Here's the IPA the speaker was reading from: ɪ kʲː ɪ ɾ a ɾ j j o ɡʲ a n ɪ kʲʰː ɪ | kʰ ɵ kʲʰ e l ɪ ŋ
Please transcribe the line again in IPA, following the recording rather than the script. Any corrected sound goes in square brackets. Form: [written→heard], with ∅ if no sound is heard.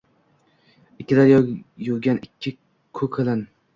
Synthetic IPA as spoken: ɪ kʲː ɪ [ɾ→l] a ɾ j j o ɡʲ a n ɪ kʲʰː ɪ | kʰ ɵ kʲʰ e l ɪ [ŋ→n]